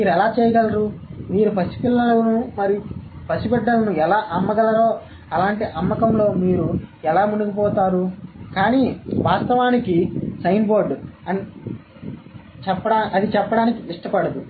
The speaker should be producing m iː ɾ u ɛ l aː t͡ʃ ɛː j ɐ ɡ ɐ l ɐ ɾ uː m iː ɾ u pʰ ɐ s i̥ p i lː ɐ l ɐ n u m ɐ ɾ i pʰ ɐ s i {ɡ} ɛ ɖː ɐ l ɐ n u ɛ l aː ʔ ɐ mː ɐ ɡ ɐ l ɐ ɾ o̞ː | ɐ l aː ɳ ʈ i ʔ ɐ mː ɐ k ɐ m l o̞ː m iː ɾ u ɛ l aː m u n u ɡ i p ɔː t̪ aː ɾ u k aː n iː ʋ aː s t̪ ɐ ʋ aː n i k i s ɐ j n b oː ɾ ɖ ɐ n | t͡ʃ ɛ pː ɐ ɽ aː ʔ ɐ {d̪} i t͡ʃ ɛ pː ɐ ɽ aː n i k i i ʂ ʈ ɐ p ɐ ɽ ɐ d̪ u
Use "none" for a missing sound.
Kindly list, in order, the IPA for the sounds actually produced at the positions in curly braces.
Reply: b, d̪

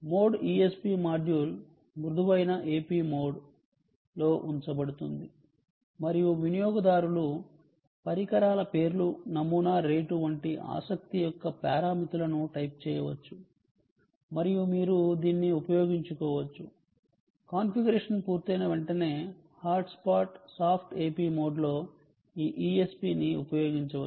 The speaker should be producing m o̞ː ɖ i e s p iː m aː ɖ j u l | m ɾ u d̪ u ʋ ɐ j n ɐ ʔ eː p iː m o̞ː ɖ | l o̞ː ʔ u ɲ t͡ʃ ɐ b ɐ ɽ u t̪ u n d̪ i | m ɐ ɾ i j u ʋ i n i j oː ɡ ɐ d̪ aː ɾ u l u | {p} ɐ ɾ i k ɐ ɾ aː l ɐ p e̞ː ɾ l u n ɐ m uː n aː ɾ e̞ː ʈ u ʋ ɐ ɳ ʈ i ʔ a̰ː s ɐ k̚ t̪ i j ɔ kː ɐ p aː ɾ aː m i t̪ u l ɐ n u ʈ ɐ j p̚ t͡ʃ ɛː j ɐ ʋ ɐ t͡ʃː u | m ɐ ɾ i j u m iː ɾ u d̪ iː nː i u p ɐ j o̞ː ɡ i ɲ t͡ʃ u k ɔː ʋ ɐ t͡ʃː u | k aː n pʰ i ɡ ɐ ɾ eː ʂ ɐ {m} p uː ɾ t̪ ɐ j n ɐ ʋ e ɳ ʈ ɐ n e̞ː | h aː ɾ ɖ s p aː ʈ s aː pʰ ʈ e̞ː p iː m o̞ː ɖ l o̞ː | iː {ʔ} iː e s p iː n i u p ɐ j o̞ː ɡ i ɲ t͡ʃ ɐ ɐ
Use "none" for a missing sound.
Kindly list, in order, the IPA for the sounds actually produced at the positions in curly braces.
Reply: p, n, ʔ

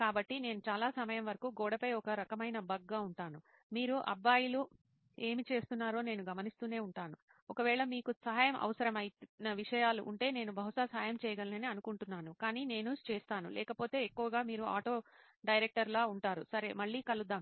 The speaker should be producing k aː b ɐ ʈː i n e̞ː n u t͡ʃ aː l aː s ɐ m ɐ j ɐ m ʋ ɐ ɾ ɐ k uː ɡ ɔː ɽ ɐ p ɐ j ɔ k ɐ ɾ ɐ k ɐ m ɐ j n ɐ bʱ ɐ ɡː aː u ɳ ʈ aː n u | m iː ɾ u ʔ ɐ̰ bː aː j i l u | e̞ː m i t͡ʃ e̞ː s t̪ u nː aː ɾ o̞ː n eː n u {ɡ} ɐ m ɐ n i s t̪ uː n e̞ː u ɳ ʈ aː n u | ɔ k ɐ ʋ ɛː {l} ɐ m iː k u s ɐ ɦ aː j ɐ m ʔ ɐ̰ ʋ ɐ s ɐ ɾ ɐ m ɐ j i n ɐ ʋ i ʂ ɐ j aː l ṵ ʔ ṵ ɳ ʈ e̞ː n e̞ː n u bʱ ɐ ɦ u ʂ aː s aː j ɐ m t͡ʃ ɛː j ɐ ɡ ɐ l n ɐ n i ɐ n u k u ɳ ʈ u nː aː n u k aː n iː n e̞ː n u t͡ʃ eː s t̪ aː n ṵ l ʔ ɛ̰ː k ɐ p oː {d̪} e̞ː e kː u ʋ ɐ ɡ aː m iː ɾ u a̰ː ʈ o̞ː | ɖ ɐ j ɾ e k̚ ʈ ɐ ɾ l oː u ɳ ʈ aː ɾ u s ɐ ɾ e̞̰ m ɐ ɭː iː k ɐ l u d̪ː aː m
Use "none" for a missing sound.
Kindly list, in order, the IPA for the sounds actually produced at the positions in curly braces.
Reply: ɡ, ɭ, t̪

